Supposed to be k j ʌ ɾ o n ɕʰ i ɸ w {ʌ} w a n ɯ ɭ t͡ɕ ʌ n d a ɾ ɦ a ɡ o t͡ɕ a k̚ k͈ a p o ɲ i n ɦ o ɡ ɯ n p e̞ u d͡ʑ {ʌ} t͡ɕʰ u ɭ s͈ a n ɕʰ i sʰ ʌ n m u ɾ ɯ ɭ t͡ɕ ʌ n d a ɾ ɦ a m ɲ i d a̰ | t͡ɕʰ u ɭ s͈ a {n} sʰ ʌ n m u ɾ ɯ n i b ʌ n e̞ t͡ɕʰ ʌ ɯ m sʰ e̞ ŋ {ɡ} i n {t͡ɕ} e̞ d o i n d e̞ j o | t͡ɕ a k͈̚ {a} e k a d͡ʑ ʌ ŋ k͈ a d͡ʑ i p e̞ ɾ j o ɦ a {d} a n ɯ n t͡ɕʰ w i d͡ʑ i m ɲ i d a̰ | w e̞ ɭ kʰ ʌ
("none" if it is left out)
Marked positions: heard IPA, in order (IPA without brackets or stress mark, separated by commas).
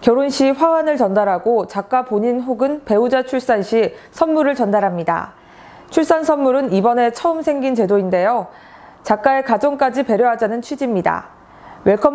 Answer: a, a, n, ɡ, t͡ɕ, a, d͡ʑ